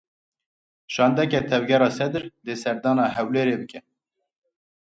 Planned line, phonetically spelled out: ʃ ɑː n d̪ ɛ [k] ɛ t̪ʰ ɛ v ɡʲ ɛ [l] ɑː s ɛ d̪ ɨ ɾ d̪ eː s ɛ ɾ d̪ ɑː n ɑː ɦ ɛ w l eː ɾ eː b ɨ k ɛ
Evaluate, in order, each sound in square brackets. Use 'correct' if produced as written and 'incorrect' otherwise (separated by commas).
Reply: correct, incorrect